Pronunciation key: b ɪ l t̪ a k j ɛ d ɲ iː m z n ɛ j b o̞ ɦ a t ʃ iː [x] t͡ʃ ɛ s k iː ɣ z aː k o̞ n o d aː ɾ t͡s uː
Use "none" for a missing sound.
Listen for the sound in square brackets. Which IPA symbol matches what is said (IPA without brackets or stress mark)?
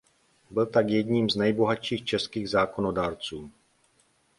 x